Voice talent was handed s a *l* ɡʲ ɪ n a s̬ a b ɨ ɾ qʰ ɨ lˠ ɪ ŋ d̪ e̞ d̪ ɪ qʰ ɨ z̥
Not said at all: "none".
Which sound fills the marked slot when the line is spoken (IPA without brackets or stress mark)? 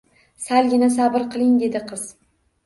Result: l